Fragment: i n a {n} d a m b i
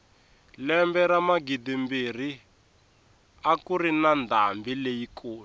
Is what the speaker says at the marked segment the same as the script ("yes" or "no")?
yes